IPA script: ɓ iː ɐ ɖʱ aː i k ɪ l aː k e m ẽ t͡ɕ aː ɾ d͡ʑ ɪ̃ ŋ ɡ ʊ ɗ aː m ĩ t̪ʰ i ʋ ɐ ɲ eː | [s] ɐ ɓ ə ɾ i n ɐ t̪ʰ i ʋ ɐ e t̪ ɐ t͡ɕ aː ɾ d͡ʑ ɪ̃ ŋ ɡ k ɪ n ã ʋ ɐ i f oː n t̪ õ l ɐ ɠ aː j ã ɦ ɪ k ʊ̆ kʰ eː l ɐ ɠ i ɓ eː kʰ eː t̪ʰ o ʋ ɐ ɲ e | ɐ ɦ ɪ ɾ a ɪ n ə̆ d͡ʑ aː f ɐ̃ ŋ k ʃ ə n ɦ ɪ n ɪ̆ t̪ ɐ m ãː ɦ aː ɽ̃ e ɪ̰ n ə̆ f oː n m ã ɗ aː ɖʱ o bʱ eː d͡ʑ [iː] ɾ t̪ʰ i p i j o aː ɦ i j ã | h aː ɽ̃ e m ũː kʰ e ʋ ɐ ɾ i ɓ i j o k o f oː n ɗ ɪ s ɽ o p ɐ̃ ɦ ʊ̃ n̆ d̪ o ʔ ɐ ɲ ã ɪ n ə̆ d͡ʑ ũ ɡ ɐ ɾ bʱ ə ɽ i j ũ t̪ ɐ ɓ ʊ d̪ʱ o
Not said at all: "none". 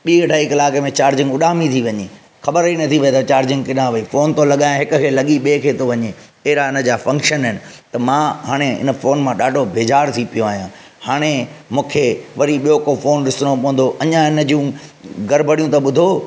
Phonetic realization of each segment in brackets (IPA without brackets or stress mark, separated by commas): x, aː